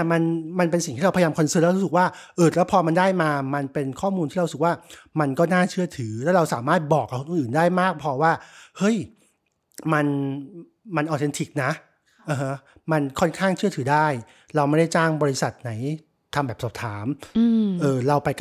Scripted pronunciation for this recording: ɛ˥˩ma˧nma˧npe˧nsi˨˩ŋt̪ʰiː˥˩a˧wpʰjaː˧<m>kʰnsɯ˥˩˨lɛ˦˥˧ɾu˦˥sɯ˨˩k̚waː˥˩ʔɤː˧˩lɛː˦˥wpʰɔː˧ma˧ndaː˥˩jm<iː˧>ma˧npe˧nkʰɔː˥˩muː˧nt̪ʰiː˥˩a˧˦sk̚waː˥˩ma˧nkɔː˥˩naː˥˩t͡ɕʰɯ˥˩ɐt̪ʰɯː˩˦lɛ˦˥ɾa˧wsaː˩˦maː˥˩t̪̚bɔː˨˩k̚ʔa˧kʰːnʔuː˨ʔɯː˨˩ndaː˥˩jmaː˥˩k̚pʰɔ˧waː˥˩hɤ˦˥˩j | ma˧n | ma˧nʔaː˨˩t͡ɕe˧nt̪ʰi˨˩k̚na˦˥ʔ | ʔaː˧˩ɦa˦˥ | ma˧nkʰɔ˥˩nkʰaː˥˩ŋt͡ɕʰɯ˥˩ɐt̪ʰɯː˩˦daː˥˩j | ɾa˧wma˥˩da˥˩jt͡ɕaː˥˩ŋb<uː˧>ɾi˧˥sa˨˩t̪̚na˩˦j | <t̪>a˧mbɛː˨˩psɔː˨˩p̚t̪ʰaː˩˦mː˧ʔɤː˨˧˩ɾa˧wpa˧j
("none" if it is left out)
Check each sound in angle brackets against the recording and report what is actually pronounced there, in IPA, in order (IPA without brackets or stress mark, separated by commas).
m, aː˧, ɔː˧, t̪ʰ